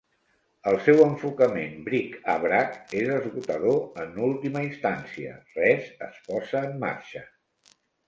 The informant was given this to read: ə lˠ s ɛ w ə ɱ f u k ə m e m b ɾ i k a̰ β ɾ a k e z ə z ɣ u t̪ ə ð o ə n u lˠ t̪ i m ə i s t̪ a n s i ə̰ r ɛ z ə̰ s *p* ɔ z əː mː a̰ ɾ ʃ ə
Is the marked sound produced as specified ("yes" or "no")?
yes